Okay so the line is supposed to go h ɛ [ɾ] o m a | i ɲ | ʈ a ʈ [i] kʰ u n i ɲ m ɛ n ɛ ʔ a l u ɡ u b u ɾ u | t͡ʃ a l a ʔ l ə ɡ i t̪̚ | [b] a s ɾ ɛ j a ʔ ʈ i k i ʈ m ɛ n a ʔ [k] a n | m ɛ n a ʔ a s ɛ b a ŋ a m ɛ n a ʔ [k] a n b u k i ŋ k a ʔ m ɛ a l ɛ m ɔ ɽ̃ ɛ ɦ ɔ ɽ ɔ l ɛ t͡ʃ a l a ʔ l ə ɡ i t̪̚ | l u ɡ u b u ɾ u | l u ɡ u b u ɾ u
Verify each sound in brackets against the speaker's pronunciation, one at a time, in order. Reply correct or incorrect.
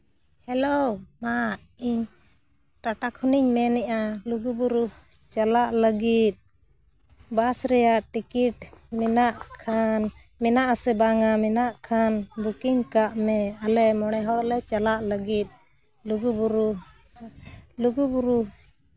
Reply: incorrect, incorrect, correct, incorrect, incorrect

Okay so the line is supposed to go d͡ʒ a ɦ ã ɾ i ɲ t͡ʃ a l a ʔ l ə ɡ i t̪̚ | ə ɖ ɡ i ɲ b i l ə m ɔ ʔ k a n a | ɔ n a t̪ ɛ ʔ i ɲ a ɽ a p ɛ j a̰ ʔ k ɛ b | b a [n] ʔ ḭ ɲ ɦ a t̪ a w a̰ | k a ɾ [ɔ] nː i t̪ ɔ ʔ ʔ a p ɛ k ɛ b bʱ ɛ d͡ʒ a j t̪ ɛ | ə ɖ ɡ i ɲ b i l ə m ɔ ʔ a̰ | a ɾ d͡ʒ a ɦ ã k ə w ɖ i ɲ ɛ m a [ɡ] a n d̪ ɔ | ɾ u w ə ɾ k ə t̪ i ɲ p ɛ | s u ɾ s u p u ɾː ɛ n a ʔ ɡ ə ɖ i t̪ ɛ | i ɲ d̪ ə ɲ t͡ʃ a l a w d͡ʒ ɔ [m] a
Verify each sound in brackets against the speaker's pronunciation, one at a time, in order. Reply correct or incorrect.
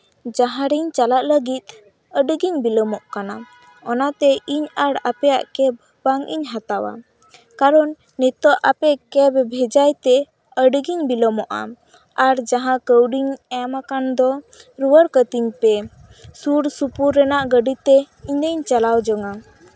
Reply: incorrect, correct, incorrect, incorrect

